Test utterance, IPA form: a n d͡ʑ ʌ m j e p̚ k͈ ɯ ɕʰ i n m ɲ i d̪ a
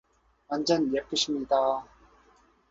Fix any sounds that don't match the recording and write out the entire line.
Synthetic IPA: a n d͡ʑ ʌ n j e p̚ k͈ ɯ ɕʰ i m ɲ i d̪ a

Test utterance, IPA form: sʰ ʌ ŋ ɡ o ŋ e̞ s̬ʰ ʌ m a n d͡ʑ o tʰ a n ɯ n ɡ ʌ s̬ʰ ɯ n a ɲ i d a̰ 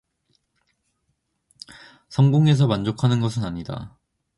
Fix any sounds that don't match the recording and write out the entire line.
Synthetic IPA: sʰ ʌ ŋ ɡ o ŋ e̞ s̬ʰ ʌ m a n d͡ʑ o kʰ a n ɯ n ɡ ʌ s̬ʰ ɯ n a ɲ i d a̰

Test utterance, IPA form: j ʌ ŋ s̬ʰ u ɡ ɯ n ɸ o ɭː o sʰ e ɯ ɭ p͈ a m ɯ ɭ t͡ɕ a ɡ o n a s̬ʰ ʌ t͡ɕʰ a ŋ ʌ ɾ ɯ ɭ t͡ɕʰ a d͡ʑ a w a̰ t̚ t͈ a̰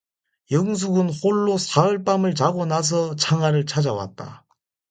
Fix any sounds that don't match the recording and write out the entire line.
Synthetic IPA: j ʌ ŋ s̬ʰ u ɡ ɯ n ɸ o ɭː o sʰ a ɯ ɭ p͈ a m ɯ ɭ t͡ɕ a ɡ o n a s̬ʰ ʌ t͡ɕʰ a ŋ a ɾ ɯ ɭ t͡ɕʰ a d͡ʑ a w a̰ t̚ t͈ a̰

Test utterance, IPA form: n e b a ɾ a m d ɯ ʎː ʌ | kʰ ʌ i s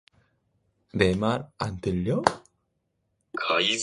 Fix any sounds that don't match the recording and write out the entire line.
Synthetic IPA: n e m a ɾ a n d ɯ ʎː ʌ | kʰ a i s

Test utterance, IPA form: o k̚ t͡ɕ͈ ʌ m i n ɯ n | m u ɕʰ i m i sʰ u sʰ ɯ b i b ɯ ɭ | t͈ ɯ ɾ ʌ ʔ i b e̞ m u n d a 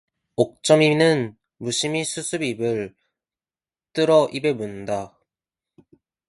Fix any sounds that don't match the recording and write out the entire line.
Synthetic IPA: o k̚ t͡ɕ͈ ʌ m i n ɯ n | m u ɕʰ i m i sʰ u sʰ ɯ b i b ɯ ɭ | t͈ ɯ ɾ ʌ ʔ i b e̞ m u n d a

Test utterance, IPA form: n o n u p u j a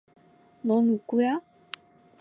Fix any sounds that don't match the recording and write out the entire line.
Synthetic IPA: n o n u k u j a

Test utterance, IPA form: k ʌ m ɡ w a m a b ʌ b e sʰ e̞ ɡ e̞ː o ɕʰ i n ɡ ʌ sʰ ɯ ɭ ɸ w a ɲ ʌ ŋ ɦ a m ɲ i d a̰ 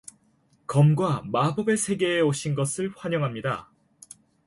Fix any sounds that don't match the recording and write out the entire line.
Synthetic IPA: k ʌ m ɡ w a m a b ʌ b e sʰ e̞ ɡ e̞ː o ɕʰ i n ɡ ʌ sʰ ɯ ɭ ɸ w a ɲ ʌ ŋ ɦ a m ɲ i d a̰

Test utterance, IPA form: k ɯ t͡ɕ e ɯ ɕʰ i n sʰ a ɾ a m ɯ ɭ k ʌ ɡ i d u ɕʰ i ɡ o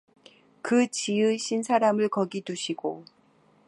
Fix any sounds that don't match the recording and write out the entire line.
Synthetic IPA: k ɯ t͡ɕ i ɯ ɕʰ i n sʰ a ɾ a m ɯ ɭ k ʌ ɡ i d u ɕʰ i ɡ o

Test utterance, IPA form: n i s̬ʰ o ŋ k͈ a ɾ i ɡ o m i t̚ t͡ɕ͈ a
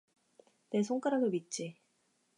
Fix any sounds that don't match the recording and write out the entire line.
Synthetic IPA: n e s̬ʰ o ŋ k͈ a ɾ a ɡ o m i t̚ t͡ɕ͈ i

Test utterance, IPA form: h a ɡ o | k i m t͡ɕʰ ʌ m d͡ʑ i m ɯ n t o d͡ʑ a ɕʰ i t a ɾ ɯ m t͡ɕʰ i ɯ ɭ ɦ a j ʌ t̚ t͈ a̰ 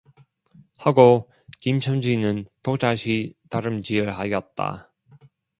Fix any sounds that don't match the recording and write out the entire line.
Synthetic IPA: h a ɡ o | k i m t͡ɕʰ ʌ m d͡ʑ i n ɯ n t o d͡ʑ a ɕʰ i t a ɾ ɯ m t͡ɕ i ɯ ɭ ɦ a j ʌ t̚ t͈ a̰

